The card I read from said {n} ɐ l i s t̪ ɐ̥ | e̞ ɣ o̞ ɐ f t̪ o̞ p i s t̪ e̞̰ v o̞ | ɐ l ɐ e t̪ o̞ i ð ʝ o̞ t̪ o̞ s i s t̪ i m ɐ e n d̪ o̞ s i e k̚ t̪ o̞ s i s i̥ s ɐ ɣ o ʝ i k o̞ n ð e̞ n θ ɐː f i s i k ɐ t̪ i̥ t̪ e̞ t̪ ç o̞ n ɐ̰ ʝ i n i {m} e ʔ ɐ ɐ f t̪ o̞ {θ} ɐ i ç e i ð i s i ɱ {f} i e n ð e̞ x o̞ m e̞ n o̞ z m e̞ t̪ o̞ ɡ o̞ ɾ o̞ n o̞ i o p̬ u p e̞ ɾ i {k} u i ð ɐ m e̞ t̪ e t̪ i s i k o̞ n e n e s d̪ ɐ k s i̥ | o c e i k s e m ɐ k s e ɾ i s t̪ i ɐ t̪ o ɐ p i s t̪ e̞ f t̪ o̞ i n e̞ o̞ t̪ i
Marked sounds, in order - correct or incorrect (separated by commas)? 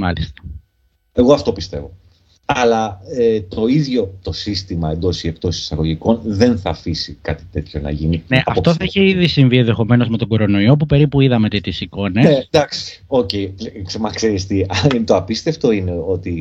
incorrect, incorrect, correct, incorrect, incorrect